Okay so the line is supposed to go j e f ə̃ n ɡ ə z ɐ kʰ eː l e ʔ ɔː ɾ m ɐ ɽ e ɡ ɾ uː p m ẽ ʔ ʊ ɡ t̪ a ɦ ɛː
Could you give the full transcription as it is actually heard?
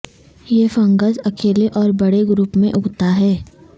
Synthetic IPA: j e f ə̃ ŋ ɡ ə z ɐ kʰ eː l e ʔ ɔː ɾ b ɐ ɽ e ɡ ɾ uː p m ẽ ʔ ʊ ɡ t̪ a ɦ ɛː